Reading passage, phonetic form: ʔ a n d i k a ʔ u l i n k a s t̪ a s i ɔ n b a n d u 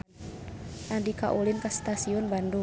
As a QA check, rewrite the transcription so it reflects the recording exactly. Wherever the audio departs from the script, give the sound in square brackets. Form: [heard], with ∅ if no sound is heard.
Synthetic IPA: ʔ a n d i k a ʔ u l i n k a s t̪ a s i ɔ n b a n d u